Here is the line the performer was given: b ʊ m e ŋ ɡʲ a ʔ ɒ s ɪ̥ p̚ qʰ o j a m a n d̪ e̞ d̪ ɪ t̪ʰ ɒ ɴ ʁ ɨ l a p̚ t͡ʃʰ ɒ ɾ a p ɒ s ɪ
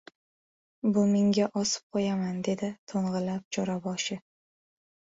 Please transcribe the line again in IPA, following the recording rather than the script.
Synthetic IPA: b ʊ m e ŋ ɡʲ a ʔ ɒ s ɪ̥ p̚ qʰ o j a m a n d̪ e̞ d̪ ɪ t̪ʰ o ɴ ʁ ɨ l a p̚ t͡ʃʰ ɒ ɾ a b ɒ ʃ ɪ